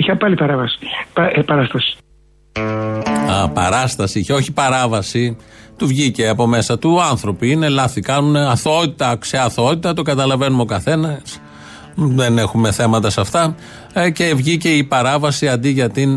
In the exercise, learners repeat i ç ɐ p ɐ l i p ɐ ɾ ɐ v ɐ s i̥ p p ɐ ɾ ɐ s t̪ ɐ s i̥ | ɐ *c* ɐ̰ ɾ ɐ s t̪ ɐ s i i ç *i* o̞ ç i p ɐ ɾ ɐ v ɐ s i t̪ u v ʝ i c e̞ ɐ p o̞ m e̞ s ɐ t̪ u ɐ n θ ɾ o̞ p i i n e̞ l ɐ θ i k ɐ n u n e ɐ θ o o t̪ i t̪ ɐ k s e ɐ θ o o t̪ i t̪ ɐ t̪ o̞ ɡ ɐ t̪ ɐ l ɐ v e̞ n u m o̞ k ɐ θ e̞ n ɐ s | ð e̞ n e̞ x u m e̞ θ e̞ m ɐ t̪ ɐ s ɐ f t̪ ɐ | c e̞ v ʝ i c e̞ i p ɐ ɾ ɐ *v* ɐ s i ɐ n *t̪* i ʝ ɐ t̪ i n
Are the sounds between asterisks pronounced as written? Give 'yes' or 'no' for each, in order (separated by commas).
no, no, yes, no